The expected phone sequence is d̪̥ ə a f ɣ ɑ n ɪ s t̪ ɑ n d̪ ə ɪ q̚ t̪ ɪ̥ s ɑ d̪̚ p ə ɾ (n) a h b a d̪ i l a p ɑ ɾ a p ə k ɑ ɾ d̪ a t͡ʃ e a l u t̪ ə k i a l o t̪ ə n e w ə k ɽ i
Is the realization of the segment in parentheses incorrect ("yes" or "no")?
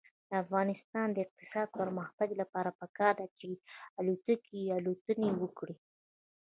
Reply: yes